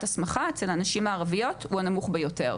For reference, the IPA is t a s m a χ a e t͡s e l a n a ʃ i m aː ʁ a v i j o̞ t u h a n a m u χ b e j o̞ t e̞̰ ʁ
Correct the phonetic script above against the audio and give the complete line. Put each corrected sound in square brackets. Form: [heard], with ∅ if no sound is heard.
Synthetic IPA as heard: t a s m a χ a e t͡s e l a n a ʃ i m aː ʁ a v i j o̞ t u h a n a m u χ b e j o̞ t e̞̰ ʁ